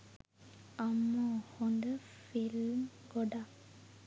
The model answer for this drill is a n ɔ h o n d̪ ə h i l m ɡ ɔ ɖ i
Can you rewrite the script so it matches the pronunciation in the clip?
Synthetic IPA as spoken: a m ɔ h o n d̪ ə f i l m ɡ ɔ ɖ a